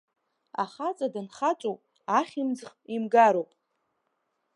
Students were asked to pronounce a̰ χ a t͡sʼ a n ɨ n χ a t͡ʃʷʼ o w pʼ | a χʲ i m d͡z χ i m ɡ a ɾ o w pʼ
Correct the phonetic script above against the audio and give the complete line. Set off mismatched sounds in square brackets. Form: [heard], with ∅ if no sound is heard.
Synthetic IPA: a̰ χ a t͡sʼ a [d] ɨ n χ a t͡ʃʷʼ o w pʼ | a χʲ i m d͡z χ i m ɡ a ɾ o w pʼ